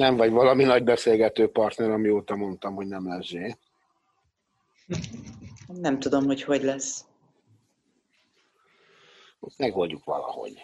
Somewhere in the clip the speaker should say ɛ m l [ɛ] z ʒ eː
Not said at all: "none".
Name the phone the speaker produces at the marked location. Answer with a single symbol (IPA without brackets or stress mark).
ɛ